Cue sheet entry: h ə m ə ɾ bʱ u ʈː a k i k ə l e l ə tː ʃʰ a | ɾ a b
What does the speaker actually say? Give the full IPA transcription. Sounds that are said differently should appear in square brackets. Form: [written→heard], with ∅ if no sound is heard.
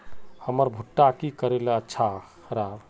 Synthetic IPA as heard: h ə m ə ɾ bʱ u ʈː a k i k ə [l→ɾ] e l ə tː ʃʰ a | ɾ a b